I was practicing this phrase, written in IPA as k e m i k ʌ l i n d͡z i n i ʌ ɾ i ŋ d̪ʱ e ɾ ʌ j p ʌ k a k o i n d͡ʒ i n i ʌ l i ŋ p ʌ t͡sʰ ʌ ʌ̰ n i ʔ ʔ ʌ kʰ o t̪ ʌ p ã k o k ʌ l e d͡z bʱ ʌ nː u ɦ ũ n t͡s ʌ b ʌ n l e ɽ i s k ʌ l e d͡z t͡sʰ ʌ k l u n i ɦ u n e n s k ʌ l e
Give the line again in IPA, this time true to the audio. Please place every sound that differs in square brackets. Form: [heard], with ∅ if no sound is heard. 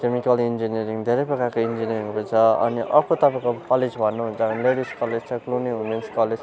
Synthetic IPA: k e m i k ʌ l i n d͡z i n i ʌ ɾ i ŋ d̪ʱ e ɾ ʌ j p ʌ k a k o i n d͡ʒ i n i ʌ [ɾ] i ŋ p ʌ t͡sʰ ʌ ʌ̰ n i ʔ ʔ ʌ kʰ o t̪ ʌ p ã k o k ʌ l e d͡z bʱ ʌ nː u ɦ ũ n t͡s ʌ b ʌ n l e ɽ i s k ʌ l e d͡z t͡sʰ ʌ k l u n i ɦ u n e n s k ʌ l e